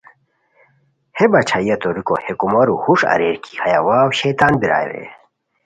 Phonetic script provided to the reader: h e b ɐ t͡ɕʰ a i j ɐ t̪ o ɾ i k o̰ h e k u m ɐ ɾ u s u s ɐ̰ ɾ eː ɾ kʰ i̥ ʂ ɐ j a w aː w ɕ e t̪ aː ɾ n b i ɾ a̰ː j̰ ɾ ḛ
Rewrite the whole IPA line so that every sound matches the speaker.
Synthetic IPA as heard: h e b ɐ t͡ɕʰ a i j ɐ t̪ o ɾ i k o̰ h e k u m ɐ ɾ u h u ʂ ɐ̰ ɾ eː ɾ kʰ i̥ h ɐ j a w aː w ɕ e t̪ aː n b i ɾ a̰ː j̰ ɾ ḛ